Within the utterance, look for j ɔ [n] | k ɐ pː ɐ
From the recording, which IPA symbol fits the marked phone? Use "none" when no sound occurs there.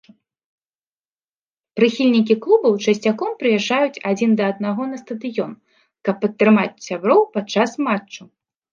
n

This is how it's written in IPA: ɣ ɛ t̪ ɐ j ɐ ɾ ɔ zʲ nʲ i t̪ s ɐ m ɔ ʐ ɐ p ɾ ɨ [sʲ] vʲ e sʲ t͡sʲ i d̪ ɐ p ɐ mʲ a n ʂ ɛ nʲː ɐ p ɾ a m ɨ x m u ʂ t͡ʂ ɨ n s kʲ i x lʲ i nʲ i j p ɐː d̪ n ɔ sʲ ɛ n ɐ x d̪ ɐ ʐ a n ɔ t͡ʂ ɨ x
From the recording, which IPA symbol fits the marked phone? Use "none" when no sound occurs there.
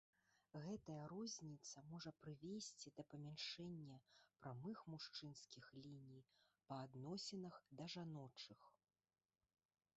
none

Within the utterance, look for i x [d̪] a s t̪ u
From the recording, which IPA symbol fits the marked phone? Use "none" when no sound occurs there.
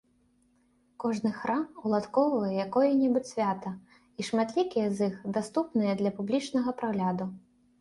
d̪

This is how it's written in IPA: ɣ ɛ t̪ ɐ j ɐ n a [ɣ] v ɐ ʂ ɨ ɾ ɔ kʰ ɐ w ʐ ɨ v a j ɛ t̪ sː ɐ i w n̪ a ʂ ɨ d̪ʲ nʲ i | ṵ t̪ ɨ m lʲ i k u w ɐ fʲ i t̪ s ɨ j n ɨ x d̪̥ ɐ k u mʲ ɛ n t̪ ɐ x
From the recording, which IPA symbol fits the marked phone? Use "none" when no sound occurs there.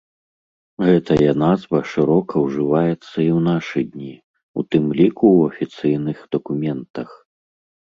z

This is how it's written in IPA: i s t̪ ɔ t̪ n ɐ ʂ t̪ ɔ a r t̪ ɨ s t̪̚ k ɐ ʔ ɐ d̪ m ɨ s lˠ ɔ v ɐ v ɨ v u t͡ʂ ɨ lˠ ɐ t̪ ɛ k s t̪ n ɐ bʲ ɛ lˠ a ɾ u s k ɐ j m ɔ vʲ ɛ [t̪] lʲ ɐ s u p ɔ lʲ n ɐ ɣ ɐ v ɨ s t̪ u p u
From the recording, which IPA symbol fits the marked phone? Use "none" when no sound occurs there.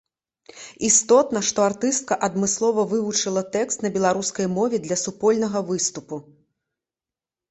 d̪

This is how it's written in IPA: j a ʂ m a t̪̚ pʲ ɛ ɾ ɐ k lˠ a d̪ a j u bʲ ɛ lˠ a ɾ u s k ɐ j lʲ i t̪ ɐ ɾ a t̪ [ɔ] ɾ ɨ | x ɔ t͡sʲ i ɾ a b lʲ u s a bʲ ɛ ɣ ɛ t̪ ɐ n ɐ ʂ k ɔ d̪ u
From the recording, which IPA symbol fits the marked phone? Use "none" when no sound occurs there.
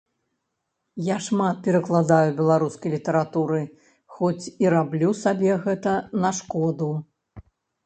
u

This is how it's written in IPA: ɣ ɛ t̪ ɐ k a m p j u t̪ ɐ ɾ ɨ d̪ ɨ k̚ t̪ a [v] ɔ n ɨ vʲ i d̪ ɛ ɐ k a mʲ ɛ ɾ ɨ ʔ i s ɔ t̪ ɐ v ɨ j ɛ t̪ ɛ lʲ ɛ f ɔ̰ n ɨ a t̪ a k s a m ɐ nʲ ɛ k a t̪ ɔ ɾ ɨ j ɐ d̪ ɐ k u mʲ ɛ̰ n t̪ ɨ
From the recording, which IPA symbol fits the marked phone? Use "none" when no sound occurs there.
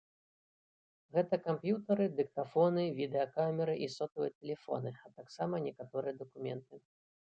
f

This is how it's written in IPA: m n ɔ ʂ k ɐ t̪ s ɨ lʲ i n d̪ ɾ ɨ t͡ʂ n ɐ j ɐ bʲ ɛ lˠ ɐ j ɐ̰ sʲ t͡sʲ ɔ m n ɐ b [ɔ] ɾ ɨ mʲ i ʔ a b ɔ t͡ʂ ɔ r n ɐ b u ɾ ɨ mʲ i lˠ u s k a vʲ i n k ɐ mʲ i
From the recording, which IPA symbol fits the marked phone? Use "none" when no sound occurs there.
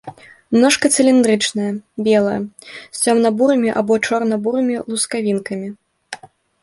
u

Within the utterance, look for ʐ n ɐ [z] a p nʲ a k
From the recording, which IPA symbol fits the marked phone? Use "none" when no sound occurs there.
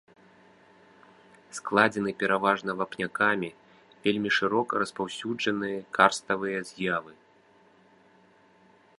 v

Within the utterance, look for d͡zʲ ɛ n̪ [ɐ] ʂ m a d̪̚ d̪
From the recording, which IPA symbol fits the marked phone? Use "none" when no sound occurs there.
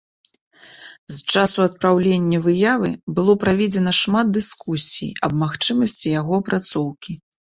ɐ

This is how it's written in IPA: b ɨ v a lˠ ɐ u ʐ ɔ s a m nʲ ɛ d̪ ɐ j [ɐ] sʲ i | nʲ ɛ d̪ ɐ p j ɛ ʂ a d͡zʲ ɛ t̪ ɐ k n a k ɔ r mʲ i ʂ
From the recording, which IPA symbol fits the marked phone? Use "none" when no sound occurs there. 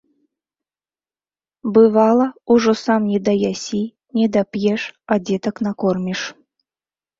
a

